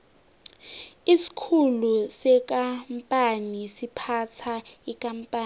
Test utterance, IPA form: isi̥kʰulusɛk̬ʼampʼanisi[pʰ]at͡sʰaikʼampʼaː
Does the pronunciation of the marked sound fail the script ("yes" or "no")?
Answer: no